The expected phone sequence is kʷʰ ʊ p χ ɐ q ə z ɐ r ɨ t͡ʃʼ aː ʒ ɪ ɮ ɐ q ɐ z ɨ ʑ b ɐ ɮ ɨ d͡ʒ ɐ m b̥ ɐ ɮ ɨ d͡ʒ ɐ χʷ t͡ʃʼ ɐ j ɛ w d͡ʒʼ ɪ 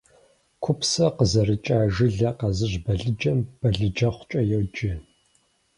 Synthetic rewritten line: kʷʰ ʊ p s ɐ q ə z ɐ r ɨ t͡ʃʼ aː ʒ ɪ ɮ ɐ q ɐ z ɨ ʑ b ɐ ɮ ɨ d͡ʒ ɐ m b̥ ɐ ɮ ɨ d͡ʒ ɐ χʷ t͡ʃʼ ɐ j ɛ w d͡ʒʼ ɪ